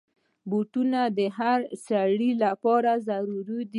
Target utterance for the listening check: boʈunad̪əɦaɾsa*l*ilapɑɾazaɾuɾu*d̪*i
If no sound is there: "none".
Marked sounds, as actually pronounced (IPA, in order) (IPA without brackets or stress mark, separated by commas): ɽ, d̪